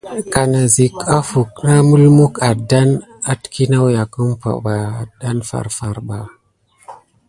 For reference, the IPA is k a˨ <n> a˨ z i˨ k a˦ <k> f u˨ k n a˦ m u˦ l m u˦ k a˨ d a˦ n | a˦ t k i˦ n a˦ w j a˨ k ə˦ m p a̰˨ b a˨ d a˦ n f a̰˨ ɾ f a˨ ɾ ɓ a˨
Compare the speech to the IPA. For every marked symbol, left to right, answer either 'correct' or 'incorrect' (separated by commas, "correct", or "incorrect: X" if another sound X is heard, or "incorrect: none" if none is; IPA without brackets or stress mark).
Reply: correct, incorrect: none